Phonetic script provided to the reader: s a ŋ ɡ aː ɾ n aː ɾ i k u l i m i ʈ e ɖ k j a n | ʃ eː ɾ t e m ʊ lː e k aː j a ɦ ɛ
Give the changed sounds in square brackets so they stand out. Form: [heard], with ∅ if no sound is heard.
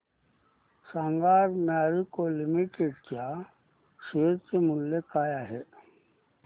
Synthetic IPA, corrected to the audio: s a ŋ ɡ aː ɾ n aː ɾ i k [o] l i m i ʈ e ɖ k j a [∅] | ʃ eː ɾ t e m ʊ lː e k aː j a ɦ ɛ